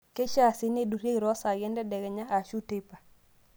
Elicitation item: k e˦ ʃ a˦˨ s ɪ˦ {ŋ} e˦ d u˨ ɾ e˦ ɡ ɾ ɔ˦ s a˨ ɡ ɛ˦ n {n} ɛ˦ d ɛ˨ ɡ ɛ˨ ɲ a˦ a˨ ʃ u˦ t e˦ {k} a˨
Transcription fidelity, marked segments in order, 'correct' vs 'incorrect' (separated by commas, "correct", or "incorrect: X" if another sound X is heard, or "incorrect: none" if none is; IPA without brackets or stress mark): incorrect: n, incorrect: d, incorrect: p